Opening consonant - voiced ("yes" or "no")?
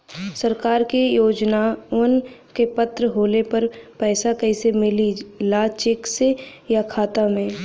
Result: no